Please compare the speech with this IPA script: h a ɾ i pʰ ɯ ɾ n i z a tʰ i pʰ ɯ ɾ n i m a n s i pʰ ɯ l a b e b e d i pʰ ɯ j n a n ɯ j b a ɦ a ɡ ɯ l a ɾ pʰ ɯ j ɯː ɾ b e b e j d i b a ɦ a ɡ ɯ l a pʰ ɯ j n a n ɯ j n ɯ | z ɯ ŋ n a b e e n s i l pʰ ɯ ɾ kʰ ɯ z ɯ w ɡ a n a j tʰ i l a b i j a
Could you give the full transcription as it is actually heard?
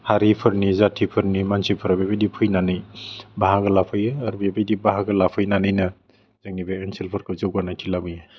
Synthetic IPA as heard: h a ɾ i pʰ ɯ ɾ n i z a tʰ i pʰ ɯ ɾ n i m a n s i pʰ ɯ ɾ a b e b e d i pʰ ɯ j n a n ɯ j b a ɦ a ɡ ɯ l a pʰ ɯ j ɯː ɾ b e b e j d i b a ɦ a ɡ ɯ l a pʰ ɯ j n a n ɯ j n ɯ | z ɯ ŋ n i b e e n s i l pʰ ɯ ɾ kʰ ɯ z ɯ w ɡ a n a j tʰ i l a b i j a